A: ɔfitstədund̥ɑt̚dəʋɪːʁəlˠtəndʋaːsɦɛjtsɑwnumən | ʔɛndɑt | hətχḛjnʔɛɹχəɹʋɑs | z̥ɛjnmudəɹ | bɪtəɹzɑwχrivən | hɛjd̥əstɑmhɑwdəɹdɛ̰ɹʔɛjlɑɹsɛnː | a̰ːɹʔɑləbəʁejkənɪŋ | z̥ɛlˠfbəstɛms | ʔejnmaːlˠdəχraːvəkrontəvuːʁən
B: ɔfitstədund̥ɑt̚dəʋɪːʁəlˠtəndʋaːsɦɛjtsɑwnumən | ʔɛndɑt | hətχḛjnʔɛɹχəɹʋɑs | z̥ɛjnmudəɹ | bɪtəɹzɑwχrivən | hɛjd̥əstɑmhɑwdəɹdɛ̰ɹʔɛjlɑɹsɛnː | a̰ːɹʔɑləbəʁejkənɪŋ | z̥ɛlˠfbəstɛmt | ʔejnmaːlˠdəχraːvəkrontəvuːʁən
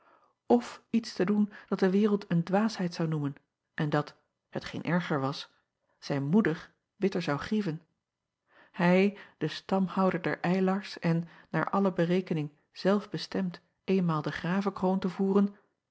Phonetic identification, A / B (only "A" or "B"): B